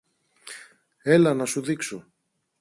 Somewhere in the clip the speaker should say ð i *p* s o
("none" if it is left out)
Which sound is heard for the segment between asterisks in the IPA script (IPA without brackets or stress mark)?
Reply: k